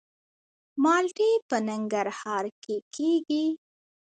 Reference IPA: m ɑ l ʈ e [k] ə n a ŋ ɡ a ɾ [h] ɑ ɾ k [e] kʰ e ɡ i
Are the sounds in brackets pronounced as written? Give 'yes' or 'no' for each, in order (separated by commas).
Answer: no, yes, yes